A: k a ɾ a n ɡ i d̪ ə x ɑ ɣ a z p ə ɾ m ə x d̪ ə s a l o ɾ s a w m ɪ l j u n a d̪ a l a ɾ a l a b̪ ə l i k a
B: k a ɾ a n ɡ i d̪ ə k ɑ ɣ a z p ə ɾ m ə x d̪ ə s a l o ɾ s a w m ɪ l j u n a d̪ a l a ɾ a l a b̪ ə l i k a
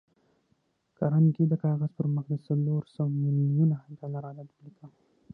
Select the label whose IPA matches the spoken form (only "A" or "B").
B